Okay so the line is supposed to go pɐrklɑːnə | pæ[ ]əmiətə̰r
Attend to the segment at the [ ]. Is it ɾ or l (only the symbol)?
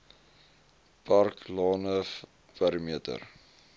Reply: ɾ